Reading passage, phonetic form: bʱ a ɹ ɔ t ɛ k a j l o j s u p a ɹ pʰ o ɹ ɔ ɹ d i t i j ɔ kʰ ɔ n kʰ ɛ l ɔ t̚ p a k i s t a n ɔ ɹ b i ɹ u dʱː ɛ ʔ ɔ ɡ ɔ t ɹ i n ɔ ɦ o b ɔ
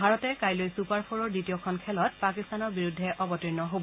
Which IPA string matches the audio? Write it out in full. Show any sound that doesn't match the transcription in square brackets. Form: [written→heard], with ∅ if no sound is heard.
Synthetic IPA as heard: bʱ a ɹ ɔ t ɛ k a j l o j s u p a ɹ pʰ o ɹ ɔ ɹ d i t i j ɔ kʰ ɔ n kʰ ɛ l ɔ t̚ p a k i s t a n ɔ ɹ b i ɹ u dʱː ɛ ʔ ɔ [ɡ→b] ɔ t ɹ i n ɔ ɦ o b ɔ